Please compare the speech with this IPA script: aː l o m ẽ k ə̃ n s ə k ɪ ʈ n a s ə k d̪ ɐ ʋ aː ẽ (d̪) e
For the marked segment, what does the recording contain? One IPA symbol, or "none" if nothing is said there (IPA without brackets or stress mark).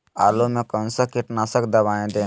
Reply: d̪